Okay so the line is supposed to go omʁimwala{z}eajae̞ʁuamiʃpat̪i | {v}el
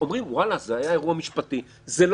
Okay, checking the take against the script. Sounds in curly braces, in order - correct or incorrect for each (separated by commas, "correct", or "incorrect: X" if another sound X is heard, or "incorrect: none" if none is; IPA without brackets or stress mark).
correct, incorrect: z